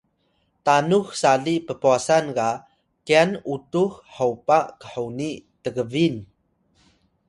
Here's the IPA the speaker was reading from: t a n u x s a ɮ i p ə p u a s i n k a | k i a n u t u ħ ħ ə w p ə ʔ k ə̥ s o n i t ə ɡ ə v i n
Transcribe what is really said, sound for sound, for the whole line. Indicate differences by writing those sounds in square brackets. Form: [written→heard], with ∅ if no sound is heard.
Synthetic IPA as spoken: t a n u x s a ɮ i p ə p u a s [i→a] n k a | k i a n u t u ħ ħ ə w p [ə→a] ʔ k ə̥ [s→ħ] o n i t ə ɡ ə v i n